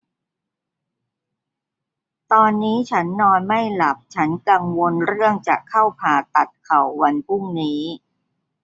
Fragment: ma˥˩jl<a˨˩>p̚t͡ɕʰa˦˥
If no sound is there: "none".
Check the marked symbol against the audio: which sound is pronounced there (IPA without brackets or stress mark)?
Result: a˨˩